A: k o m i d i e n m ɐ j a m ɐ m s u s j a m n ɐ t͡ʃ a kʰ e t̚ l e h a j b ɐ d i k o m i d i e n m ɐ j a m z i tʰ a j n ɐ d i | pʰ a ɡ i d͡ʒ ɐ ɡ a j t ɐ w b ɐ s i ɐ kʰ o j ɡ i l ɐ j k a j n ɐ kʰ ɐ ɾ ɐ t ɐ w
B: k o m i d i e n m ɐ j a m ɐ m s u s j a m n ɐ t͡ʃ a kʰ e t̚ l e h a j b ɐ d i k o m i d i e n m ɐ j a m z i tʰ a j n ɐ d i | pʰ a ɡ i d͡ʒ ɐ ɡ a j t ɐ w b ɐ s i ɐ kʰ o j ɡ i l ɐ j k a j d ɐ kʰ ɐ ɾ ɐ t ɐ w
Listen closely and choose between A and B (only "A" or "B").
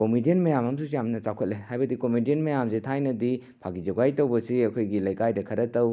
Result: B